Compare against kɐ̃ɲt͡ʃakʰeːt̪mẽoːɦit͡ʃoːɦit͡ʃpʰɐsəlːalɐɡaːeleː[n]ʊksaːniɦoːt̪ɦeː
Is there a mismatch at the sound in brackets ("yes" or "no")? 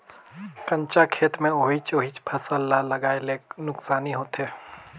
no